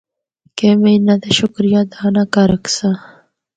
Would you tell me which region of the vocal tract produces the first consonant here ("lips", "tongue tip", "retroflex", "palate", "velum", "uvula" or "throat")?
velum